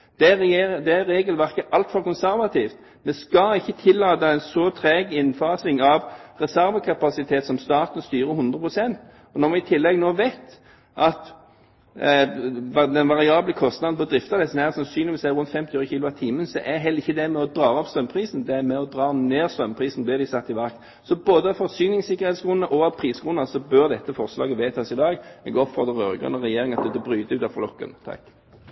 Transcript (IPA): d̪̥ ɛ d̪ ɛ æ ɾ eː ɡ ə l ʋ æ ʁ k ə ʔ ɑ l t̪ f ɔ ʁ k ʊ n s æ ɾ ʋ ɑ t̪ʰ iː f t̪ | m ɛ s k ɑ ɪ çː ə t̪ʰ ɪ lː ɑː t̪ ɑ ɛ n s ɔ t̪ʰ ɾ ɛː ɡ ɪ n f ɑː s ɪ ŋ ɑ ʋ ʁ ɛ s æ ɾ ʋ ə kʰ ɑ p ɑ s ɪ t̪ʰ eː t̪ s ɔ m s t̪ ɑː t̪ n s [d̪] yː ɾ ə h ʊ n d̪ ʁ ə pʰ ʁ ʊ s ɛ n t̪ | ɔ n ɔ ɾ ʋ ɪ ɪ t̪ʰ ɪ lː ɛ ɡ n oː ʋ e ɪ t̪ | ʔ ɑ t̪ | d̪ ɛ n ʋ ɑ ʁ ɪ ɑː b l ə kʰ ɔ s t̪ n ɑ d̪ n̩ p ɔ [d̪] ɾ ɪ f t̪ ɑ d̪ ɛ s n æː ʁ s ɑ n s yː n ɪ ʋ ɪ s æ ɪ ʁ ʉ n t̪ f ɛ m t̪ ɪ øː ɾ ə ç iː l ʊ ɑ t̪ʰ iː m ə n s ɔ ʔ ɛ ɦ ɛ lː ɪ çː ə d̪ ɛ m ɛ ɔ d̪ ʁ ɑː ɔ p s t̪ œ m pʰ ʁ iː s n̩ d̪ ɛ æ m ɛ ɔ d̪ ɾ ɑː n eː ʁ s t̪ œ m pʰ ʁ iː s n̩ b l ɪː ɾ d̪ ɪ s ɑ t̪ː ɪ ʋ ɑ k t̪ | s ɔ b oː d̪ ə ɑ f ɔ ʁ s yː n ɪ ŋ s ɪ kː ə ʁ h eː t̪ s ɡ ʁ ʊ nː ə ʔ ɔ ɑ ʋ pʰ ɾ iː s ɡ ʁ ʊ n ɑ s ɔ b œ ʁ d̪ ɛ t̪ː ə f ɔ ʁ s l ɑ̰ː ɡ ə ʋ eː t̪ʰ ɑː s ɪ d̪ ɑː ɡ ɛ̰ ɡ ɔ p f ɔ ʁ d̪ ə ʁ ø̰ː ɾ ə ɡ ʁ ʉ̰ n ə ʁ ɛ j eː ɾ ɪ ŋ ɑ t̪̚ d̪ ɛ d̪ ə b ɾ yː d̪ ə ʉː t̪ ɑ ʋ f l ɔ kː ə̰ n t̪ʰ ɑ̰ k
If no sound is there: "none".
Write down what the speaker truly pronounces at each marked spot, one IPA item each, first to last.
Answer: t̪, d̪

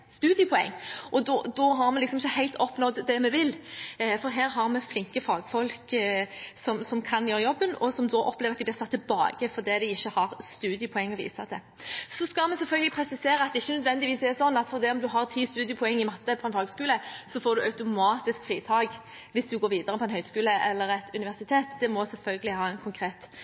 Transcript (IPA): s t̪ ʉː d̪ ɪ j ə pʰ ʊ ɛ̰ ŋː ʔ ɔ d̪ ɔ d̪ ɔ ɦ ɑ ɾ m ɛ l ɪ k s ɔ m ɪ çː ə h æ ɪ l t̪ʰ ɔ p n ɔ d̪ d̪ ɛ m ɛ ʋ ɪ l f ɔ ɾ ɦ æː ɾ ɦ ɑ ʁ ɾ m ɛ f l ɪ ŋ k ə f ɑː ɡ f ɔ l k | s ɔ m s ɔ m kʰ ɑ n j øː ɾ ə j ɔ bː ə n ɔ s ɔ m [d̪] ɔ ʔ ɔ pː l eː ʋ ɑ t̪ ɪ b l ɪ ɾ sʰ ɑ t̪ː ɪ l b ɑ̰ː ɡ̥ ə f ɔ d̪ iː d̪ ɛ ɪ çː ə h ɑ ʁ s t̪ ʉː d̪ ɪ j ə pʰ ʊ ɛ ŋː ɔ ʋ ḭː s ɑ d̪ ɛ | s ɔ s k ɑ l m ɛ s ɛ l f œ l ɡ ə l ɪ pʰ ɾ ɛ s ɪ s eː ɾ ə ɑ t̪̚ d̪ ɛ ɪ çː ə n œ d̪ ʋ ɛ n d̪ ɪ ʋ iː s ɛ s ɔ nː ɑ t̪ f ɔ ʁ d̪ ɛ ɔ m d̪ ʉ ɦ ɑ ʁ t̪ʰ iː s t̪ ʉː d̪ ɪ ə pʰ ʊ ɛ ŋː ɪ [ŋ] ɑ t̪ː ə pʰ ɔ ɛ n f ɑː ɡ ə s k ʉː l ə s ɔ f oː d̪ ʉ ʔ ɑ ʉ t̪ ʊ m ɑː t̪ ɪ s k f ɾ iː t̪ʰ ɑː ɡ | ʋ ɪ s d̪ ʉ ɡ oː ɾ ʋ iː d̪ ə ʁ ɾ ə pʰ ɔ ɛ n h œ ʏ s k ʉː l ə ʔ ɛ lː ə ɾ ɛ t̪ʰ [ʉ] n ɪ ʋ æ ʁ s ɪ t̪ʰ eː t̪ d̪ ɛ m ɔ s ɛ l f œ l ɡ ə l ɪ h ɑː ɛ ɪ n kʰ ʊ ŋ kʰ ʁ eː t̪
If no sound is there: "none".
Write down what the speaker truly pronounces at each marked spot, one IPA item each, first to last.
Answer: d̪, m, ʉ

